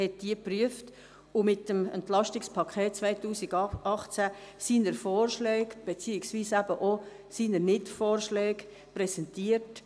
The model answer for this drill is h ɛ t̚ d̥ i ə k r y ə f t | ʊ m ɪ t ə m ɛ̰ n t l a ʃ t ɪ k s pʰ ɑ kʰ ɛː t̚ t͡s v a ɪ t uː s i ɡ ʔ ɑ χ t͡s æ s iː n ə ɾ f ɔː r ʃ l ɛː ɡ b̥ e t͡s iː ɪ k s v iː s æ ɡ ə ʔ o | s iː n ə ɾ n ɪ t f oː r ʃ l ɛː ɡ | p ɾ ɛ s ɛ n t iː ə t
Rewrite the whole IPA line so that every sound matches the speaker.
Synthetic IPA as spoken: h ɛ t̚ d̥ i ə p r y ə f t | ʊ m ɪ t ə m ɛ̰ n t l ɑ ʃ t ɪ k s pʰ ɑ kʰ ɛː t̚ t͡s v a ɪ t uː s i ɡ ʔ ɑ χ t͡s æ s iː n ə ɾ f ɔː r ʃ l ɛː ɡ b̥ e t͡s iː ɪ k s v iː s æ b ə ʔ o | s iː n ə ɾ n ɪ t f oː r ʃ l ɛː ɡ | p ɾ ɛ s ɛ n t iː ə t